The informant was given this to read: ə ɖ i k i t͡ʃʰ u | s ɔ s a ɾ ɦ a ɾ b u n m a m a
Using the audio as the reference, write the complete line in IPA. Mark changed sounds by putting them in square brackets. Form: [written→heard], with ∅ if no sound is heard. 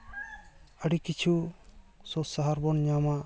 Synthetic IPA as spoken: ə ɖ i k i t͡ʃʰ u | s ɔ s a [ɾ→∅] ɦ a ɾ b [u→ɔ] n [m→ɲ] a m a